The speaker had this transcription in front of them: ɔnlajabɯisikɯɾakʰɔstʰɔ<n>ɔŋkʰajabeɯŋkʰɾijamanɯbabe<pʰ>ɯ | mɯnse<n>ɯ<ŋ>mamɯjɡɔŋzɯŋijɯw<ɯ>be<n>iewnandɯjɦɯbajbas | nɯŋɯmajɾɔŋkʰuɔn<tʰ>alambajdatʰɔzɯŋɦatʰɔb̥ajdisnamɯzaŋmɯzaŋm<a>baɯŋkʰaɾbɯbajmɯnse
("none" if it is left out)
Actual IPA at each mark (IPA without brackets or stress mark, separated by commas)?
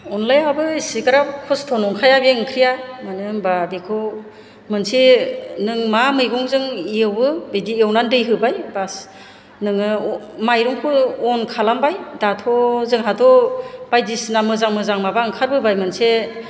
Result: n, kʰ, n, ŋ, ɯ, d, kʰ, a